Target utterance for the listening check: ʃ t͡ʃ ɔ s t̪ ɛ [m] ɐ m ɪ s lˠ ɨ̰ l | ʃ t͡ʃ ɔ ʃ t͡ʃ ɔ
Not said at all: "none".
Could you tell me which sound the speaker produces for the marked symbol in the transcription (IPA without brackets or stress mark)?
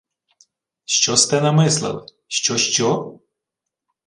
n